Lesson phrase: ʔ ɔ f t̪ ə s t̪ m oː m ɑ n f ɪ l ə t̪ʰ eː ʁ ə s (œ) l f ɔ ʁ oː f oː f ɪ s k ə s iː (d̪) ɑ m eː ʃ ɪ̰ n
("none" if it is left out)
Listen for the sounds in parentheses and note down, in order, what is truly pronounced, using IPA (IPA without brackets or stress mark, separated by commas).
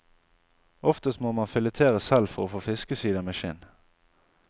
ɛ, d̪